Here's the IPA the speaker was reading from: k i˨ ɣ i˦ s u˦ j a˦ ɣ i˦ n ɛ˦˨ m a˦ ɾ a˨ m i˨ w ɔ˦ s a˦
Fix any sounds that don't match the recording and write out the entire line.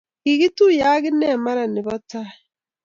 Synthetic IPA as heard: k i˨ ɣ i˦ t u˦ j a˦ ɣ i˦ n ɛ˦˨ m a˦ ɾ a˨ n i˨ β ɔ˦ t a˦